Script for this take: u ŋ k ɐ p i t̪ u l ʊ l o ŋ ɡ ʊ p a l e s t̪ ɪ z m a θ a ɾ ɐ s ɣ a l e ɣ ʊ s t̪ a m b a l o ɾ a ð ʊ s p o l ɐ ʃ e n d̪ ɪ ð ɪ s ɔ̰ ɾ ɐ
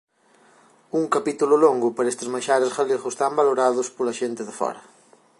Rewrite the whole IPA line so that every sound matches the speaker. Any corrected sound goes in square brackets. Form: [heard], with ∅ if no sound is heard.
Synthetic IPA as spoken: u ŋ k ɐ p i t̪ u l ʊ l o ŋ ɡ ʊ p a [ɾ] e s t̪ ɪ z m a [ʃ] a ɾ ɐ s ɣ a l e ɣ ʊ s t̪ a m b a l o ɾ a ð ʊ s p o l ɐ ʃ e n [t̪] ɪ ð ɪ [f] ɔ̰ ɾ ɐ